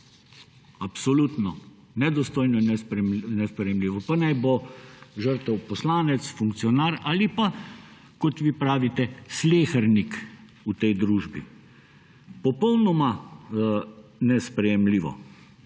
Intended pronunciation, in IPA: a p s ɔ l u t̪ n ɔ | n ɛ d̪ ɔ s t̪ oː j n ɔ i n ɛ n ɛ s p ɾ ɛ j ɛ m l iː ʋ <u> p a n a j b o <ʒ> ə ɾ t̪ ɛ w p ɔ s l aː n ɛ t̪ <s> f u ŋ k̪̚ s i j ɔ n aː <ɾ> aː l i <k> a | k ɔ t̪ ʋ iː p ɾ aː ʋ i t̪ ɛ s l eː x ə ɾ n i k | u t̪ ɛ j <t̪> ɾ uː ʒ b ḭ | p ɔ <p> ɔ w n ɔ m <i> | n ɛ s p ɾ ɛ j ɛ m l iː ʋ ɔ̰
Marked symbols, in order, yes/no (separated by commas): no, yes, yes, yes, no, no, yes, no